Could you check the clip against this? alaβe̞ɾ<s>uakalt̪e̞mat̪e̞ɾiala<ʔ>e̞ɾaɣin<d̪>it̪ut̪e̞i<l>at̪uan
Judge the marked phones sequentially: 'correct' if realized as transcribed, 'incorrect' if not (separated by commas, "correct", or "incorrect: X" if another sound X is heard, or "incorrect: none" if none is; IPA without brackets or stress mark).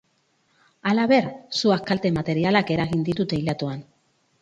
correct, incorrect: k, correct, correct